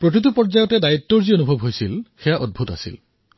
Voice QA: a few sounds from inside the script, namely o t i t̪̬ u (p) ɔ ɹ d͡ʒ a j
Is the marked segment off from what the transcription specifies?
no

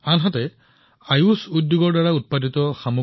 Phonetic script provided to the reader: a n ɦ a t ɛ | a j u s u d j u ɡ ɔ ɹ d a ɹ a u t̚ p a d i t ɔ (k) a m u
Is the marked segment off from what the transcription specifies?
yes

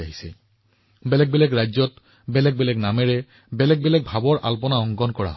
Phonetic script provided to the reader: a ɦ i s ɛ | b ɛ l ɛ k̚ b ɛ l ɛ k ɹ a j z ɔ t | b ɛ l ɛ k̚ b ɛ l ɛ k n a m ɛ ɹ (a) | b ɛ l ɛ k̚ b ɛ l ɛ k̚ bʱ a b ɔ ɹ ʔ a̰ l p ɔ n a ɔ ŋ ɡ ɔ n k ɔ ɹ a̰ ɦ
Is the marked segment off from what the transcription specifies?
yes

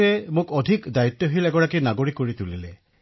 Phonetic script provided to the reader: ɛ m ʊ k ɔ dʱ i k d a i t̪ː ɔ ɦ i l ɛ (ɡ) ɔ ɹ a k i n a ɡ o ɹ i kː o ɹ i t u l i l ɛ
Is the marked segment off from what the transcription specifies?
no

